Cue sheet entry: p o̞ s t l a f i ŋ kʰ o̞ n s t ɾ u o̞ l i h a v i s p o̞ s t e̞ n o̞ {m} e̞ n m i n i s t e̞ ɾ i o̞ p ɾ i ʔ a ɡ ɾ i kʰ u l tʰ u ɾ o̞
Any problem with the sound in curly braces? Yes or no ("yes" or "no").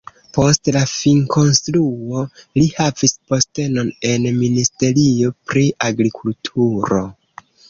yes